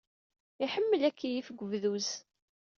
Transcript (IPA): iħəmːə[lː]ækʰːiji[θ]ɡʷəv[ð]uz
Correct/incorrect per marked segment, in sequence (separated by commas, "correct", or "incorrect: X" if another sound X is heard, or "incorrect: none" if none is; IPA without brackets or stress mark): incorrect: l, incorrect: f, correct